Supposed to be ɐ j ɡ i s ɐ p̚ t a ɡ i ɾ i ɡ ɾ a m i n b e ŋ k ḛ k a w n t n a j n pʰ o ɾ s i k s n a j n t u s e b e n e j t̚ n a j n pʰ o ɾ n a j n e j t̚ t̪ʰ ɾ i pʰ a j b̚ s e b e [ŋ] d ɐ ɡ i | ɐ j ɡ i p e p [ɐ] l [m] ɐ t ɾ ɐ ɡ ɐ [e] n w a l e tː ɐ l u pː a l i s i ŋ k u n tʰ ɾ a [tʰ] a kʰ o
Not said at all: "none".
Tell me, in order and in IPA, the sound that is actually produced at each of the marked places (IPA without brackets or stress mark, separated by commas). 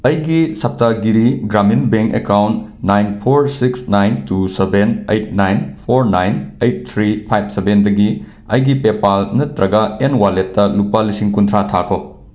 n, a, n, e, tʰ